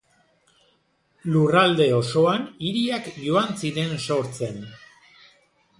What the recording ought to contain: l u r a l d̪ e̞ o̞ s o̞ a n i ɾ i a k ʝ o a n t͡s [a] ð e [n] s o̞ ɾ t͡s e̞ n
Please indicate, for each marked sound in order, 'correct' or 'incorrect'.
incorrect, correct

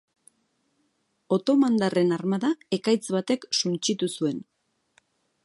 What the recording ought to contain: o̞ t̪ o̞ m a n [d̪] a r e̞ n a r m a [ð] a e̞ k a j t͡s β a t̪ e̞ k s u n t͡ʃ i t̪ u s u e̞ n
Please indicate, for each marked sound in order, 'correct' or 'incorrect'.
correct, correct

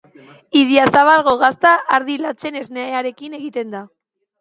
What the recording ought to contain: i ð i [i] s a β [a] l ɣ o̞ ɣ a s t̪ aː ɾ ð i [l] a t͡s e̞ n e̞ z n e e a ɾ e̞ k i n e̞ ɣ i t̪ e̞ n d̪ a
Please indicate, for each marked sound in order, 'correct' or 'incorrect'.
incorrect, correct, correct

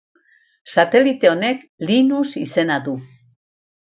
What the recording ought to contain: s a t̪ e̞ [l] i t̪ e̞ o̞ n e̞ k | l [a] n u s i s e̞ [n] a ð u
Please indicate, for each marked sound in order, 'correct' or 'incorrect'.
correct, incorrect, correct

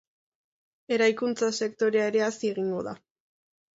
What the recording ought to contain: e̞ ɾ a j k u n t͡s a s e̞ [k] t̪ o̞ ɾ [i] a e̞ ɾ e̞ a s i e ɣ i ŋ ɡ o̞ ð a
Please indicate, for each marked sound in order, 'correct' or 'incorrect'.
correct, incorrect

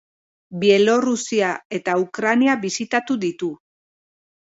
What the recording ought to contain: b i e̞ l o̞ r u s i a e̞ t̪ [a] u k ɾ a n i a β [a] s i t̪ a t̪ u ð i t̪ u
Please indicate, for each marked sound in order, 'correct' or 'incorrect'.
correct, incorrect

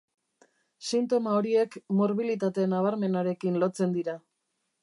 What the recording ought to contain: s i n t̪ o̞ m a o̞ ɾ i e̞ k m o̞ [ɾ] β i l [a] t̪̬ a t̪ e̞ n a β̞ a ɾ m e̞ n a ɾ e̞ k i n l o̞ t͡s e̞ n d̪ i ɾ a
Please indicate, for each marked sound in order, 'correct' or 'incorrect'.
correct, incorrect

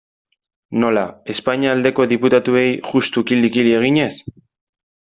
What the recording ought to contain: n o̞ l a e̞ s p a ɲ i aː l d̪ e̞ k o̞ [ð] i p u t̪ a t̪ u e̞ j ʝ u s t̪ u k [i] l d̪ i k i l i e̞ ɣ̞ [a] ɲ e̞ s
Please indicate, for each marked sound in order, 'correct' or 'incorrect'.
correct, correct, incorrect

